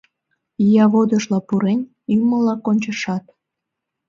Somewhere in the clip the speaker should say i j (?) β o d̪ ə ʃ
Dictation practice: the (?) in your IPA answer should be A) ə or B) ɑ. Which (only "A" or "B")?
B